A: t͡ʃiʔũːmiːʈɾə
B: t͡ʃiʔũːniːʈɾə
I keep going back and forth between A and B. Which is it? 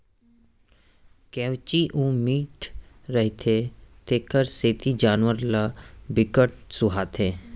A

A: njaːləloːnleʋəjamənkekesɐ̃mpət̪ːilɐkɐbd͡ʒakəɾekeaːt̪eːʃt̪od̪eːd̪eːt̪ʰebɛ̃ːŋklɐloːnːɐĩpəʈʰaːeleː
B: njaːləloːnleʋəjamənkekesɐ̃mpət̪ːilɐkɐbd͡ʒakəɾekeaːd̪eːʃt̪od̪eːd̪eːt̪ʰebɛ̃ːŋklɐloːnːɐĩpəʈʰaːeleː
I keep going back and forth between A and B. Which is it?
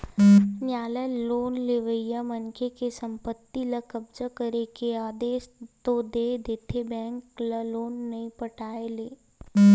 B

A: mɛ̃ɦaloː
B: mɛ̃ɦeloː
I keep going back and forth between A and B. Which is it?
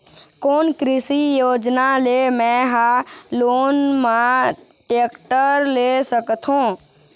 A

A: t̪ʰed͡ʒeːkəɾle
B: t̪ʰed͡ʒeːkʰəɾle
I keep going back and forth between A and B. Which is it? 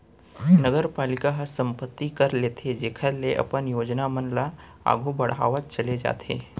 B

